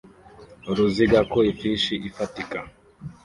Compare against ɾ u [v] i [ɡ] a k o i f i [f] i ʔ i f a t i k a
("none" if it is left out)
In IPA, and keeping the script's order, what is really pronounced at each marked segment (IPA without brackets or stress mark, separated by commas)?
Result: z, ɡ, ʃ